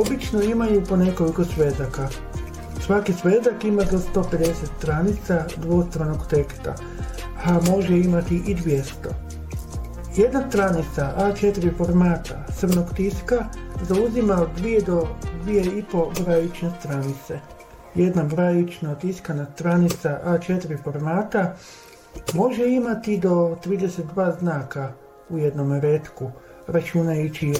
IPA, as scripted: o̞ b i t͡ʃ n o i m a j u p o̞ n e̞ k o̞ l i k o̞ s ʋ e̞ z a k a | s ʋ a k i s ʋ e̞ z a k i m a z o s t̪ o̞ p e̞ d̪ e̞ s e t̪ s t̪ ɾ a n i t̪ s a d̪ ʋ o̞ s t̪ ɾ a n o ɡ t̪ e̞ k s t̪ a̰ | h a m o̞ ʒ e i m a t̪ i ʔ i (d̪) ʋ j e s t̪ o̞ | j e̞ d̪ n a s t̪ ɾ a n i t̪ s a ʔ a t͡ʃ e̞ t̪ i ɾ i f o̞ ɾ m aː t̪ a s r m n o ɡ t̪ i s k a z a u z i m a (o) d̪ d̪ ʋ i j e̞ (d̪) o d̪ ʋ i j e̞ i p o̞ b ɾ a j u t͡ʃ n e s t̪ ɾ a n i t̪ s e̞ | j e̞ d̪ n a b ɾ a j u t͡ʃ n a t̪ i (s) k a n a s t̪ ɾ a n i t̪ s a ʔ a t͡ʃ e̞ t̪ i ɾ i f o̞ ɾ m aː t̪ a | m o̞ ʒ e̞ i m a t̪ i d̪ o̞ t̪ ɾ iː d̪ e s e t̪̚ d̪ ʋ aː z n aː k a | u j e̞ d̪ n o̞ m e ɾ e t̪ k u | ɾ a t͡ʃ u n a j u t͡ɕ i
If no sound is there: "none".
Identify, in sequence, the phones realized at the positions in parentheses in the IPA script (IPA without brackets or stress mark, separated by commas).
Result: d̪, o, d̪, s